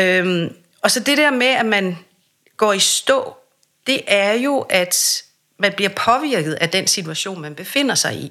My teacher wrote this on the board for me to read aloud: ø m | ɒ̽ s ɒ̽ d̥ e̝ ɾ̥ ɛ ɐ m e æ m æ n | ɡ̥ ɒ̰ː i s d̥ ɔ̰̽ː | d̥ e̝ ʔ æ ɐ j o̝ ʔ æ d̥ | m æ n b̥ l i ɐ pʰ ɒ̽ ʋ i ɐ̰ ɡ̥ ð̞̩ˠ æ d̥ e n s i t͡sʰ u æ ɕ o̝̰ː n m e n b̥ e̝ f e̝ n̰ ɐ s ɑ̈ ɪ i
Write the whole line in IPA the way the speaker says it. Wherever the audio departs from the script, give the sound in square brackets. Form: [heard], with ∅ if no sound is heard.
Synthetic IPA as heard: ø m | ɒ̽ s ɒ̽ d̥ e̝ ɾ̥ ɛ ɐ m e æ m æ n | ɡ̥ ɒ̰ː i s d̥ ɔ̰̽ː | d̥ e̝ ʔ æ ɐ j o̝ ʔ æ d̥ | m æ n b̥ l i ɐ pʰ ɒ̽ ʋ i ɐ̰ ɡ̥ ð̞̩ˠ æ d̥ e n s i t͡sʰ u æ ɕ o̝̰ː n m [æ] n b̥ e̝ f e̝ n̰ ɐ s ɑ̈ ɪ i